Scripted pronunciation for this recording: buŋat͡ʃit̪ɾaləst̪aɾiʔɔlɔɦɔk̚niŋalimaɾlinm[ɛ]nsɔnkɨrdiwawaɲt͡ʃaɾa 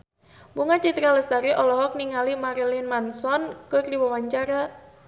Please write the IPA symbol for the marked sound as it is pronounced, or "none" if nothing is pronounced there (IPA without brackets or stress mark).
a